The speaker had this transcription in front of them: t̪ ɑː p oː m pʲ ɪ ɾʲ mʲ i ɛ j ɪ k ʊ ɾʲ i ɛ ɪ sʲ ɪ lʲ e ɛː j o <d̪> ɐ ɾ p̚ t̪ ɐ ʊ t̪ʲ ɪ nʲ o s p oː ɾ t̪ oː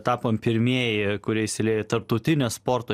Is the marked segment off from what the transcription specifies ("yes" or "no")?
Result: yes